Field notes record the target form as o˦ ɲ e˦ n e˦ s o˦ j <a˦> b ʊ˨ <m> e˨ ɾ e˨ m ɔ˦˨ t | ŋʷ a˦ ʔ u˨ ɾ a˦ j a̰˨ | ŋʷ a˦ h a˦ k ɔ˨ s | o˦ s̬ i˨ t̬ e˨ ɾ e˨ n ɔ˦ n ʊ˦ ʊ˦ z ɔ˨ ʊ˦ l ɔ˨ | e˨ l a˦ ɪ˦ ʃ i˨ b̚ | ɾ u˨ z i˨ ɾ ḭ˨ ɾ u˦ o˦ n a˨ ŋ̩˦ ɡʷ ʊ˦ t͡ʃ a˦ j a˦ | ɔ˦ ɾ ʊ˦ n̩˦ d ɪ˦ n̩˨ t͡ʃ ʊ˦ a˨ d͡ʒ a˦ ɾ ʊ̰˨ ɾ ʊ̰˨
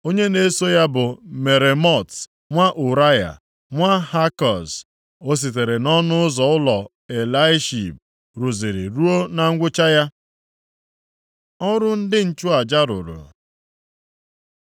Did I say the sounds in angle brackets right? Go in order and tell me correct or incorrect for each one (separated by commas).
correct, correct